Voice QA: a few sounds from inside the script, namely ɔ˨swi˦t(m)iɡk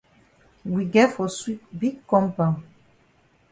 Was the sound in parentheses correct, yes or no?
no